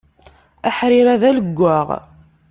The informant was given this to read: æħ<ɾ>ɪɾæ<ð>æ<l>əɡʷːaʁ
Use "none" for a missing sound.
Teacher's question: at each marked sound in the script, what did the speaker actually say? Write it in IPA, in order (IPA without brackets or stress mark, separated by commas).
ɾ, ð, l